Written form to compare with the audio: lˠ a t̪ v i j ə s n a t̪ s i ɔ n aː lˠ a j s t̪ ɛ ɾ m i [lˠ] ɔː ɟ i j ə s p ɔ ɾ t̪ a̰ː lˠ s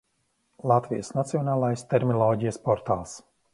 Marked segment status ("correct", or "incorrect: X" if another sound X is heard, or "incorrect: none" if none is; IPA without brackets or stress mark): correct